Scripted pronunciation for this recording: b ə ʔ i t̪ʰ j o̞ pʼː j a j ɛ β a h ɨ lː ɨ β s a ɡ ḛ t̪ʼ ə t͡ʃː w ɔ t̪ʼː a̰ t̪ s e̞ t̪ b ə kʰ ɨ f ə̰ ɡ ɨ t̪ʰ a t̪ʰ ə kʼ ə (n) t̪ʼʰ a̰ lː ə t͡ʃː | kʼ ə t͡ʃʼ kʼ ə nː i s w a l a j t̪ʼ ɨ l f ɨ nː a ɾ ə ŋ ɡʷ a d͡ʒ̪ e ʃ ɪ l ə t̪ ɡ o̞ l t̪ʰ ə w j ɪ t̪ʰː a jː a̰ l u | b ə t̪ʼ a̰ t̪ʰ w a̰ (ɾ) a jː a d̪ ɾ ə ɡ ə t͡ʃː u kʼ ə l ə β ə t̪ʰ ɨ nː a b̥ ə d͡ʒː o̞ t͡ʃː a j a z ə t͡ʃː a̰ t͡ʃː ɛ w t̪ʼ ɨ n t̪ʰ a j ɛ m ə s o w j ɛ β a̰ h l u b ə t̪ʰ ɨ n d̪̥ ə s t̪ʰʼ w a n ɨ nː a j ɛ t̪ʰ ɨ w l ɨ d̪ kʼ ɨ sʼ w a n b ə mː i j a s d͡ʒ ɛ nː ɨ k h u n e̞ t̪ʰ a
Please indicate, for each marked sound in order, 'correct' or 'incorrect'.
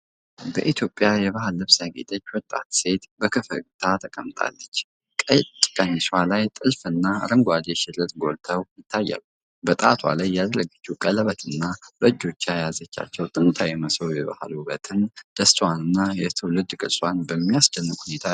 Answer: incorrect, incorrect

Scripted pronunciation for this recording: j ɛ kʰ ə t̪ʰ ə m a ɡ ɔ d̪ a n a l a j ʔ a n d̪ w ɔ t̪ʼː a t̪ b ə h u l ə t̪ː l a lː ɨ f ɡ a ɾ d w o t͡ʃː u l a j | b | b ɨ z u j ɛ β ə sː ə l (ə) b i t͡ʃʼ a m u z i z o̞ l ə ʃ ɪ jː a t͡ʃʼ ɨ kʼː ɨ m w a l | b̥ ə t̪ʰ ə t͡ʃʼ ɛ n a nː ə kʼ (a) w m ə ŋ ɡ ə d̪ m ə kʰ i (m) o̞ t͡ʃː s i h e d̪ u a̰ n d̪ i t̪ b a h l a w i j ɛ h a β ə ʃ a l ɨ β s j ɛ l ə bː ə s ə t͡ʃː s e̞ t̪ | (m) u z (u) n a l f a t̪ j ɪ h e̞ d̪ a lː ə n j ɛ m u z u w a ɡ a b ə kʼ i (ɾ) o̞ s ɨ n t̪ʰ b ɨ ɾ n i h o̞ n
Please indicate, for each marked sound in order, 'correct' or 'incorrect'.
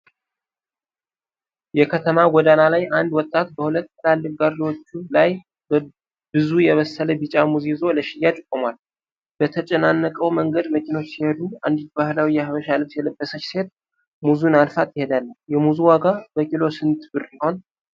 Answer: correct, incorrect, incorrect, correct, correct, incorrect

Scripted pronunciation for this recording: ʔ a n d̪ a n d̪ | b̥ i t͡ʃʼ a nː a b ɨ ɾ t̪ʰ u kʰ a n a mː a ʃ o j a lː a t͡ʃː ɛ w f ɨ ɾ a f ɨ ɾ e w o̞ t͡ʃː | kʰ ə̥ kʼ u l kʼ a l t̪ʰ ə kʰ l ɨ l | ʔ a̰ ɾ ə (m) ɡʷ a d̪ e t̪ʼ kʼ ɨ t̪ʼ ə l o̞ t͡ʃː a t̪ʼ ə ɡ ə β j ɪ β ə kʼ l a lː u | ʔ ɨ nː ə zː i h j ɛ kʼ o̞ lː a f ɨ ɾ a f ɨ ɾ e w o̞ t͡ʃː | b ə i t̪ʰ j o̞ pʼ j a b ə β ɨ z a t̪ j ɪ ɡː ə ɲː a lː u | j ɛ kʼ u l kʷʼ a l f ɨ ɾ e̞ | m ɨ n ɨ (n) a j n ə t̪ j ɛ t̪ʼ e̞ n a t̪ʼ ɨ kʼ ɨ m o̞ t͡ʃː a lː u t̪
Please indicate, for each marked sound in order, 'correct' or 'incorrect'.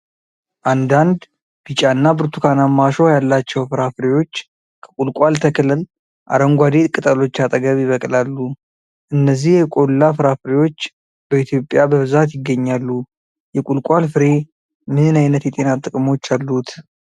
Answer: incorrect, correct

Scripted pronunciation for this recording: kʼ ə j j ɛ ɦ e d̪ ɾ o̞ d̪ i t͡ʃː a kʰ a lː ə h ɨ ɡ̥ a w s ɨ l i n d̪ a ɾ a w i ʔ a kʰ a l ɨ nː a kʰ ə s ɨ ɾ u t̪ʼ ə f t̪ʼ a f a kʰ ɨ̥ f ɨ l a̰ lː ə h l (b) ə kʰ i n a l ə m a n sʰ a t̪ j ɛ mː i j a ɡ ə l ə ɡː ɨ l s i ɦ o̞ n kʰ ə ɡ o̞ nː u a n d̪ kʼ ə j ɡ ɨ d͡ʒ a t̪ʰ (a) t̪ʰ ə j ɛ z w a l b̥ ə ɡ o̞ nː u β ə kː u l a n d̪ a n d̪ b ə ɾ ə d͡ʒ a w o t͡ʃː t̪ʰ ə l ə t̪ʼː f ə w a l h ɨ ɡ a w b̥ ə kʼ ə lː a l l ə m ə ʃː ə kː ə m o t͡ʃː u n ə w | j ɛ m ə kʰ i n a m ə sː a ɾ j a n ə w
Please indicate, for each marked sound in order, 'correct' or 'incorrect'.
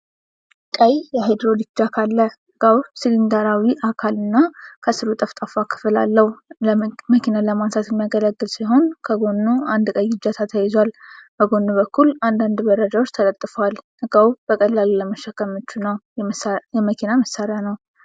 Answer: incorrect, correct

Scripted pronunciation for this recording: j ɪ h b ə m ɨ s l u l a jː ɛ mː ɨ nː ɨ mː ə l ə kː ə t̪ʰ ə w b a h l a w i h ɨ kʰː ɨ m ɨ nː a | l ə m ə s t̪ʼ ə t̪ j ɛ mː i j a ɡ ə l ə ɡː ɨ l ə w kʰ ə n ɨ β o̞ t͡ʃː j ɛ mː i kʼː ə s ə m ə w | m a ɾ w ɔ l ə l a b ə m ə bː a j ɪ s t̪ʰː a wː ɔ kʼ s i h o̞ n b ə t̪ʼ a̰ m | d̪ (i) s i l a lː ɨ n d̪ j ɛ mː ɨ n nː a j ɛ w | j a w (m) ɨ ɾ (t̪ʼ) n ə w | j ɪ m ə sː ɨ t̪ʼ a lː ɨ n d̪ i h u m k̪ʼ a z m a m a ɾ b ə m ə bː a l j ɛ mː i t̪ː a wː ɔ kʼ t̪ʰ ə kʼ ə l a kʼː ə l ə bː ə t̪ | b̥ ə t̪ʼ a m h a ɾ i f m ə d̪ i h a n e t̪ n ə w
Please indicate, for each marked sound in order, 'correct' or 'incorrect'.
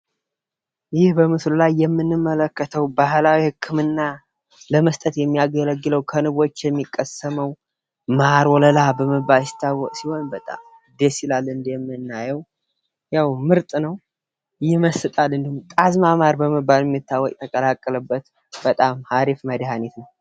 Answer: incorrect, correct, correct

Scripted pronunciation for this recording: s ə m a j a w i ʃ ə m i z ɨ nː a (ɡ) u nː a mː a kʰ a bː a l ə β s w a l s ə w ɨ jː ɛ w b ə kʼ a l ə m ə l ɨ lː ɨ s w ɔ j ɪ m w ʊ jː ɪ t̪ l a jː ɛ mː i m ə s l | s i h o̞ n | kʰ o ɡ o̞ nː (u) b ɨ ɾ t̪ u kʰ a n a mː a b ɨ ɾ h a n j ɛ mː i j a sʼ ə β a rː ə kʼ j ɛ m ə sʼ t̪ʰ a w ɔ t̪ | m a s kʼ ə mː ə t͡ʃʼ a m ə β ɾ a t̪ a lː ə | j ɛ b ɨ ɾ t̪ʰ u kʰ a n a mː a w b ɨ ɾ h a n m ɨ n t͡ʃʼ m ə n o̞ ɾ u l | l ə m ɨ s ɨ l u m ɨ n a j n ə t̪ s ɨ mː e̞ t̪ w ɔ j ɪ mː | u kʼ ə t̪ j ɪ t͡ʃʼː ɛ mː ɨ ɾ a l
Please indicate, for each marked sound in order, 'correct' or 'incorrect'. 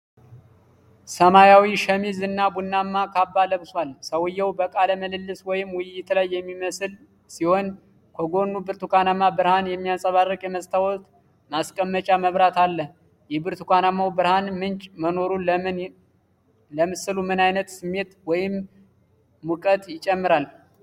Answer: incorrect, correct

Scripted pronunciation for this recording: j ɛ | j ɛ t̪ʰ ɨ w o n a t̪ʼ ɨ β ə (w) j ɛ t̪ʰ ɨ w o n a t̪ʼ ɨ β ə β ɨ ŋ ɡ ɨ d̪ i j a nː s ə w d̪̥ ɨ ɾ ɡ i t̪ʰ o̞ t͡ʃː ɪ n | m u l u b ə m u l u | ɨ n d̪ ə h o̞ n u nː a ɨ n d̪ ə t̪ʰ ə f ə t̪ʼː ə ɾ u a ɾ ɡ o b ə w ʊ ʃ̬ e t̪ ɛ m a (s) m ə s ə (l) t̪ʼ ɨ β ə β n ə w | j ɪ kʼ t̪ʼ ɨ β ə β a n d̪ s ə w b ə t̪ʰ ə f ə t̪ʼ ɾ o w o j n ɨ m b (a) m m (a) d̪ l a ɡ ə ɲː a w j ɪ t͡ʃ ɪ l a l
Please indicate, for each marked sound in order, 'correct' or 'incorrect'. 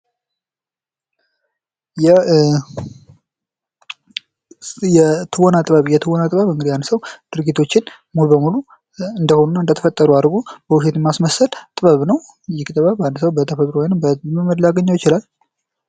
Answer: incorrect, correct, correct, incorrect, incorrect

